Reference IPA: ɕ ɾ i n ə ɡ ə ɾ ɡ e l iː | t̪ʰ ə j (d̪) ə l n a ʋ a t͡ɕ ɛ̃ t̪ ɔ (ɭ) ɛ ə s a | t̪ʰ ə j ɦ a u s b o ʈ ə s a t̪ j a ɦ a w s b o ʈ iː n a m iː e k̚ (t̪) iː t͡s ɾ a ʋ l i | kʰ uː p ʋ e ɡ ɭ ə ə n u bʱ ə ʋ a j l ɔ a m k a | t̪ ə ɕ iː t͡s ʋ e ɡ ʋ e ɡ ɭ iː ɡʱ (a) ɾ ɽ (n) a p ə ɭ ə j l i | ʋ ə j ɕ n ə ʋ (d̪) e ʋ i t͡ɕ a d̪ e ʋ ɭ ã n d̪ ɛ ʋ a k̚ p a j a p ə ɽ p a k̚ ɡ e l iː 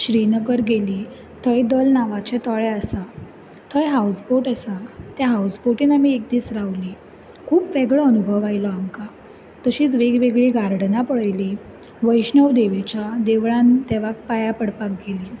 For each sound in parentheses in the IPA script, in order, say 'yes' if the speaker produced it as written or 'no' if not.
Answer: yes, yes, no, yes, yes, yes

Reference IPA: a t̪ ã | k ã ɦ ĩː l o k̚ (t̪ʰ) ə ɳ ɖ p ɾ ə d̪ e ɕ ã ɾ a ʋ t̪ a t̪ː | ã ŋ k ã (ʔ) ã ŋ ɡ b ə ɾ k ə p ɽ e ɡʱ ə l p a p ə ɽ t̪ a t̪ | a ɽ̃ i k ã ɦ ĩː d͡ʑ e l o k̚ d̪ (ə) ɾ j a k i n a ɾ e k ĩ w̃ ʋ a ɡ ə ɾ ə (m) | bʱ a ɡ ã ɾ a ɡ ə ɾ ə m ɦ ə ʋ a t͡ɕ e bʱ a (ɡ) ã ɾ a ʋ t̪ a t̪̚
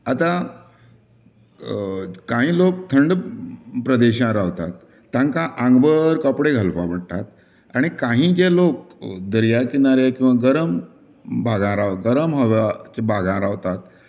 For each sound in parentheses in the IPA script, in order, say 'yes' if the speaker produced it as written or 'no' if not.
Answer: yes, yes, yes, yes, yes

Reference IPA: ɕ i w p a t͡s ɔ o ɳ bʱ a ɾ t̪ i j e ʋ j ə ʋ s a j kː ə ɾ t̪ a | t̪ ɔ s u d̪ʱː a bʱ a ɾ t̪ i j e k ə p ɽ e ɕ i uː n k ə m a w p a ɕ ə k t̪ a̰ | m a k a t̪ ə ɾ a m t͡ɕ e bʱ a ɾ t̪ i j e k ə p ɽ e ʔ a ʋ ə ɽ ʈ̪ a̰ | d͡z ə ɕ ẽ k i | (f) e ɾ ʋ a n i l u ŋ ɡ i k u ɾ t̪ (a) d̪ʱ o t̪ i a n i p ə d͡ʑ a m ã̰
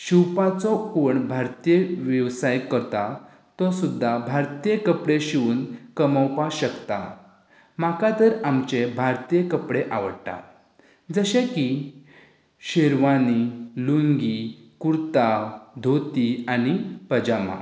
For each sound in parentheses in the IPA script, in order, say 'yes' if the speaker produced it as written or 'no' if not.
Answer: no, yes

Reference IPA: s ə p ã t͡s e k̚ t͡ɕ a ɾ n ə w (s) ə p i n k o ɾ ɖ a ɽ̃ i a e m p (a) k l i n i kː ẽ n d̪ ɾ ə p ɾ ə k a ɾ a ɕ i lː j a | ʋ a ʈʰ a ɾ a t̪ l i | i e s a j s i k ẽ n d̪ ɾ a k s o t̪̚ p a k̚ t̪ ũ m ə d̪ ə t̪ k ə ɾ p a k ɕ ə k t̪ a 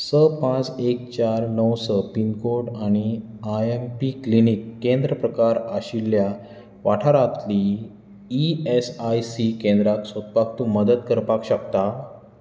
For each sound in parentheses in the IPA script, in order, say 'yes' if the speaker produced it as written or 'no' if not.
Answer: yes, no

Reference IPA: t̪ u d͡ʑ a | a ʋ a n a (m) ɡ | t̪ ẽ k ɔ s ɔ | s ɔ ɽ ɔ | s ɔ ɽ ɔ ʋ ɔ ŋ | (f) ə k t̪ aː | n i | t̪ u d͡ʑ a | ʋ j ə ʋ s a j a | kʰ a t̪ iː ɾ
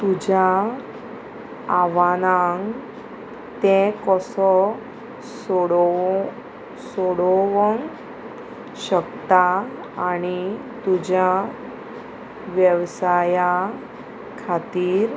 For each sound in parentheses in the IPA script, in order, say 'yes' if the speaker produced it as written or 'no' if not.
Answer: no, no

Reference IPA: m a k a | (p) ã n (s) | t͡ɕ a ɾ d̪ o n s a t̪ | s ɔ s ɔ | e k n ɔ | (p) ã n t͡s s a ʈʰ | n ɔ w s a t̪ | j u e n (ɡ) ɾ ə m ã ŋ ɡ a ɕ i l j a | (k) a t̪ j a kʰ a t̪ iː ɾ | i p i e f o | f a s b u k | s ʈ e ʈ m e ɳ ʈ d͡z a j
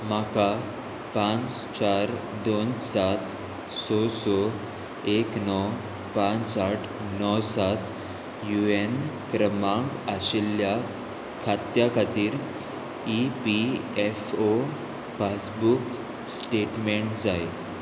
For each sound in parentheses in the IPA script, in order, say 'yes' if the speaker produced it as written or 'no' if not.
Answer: yes, no, yes, no, no

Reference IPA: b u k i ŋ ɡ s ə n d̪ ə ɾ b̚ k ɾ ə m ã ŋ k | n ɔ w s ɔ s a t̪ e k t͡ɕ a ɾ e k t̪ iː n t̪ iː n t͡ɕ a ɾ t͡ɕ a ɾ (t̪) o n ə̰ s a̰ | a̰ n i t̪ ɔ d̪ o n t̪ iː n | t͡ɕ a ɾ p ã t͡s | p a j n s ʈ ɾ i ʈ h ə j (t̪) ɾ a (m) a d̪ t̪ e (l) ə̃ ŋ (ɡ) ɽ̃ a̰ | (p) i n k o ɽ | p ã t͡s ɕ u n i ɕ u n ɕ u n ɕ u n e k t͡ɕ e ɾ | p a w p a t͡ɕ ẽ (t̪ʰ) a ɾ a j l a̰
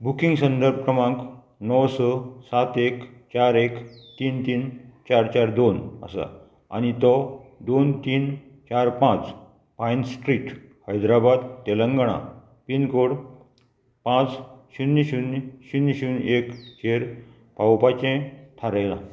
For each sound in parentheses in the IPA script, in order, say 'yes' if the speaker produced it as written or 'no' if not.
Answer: no, no, no, yes, yes, yes, yes

